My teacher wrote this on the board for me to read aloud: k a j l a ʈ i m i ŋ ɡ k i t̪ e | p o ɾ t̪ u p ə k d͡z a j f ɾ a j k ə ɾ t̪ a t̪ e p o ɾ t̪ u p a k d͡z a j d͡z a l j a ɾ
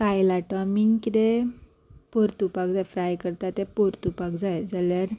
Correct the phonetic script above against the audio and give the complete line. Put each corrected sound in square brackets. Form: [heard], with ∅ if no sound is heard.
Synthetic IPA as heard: k a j l a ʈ [a] m i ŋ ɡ k i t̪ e | p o ɾ t̪ u p [a] k d͡z a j f ɾ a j k ə ɾ t̪ a t̪ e p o ɾ t̪ u p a k d͡z a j d͡z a l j a ɾ